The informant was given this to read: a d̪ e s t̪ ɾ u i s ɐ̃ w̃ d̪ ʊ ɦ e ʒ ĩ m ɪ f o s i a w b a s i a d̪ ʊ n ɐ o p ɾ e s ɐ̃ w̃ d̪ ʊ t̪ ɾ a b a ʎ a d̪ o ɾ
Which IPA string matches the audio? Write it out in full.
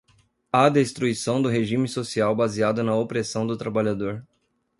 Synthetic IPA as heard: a d̪ e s t̪ ɾ u i s ɐ̃ w̃ d̪ ʊ ɦ e ʒ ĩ m ɪ s o s i a w b a z i a d̪ ʊ n ɐ o p ɾ e s ɐ̃ w̃ d̪ ʊ t̪ ɾ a b a ʎ a d̪ o ɾ